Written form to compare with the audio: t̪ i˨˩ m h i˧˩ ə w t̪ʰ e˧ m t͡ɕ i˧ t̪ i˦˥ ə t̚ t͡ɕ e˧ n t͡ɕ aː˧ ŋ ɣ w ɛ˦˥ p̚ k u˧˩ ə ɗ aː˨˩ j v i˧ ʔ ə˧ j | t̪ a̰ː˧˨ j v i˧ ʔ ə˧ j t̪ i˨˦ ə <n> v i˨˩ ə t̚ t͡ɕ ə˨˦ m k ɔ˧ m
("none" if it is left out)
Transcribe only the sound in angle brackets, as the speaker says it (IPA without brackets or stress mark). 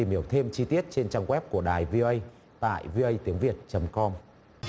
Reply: ŋ